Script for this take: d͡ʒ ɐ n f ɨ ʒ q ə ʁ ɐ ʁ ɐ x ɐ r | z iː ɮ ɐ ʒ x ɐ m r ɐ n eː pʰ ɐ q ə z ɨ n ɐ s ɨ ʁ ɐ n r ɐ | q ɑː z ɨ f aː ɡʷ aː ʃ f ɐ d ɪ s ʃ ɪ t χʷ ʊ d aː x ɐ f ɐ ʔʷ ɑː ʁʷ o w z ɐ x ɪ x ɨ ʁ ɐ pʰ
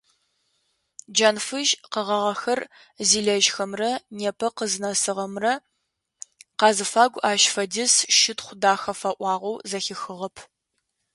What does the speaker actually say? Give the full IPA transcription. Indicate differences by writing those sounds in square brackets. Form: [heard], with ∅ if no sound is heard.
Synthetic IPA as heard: d͡ʒ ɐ n f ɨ ʒ q ə ʁ ɐ ʁ ɐ x ɐ r | z iː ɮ ɐ ʒ x ɐ m r ɐ n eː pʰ ɐ q ə z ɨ n ɐ s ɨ ʁ ɐ [m] r ɐ | q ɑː z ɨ f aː ɡʷ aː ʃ f ɐ d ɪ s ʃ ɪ t χʷ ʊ d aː x ɐ f ɐ ʔʷ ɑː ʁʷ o w z ɐ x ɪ x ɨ ʁ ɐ pʰ